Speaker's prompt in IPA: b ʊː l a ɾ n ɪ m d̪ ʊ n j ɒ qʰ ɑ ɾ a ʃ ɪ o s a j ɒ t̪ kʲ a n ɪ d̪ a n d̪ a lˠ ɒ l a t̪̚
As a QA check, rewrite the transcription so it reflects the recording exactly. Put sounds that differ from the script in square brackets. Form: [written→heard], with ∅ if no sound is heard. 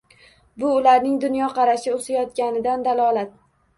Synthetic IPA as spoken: b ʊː l a ɾ n ɪ [m→ŋ] d̪ ʊ n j ɒ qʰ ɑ ɾ a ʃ ɪ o s a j ɒ t̪ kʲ a n ɪ d̪ a n d̪ a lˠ ɒ l a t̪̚